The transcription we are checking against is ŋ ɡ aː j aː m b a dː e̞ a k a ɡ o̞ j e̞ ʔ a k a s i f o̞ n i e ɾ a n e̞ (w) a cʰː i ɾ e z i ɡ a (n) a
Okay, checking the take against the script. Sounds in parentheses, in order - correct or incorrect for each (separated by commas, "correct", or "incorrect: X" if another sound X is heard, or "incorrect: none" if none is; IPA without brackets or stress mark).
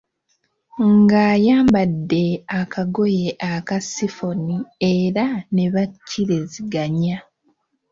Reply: incorrect: β, incorrect: ɲ